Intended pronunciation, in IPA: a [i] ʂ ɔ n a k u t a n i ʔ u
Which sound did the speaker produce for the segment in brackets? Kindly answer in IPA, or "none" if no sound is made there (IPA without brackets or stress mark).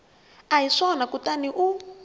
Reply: i